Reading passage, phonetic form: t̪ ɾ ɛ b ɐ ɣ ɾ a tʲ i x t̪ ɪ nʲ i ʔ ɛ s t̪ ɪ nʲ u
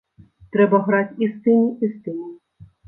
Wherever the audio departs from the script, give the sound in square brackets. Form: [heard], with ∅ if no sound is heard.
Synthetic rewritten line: t̪ ɾ ɛ b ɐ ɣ ɾ a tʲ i [s] t̪ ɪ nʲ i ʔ [i] s t̪ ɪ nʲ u